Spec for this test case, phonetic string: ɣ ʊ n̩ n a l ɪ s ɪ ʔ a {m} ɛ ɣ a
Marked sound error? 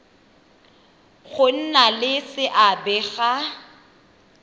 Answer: yes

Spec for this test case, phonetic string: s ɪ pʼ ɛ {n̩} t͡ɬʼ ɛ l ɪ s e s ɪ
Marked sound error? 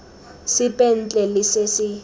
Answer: no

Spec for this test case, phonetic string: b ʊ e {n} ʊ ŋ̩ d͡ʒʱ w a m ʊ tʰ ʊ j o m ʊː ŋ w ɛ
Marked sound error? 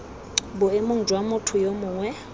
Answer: yes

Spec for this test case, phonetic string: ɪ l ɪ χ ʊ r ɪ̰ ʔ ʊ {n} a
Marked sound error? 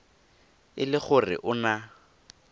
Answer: no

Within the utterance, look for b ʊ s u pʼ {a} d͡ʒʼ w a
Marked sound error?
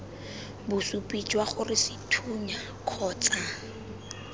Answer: yes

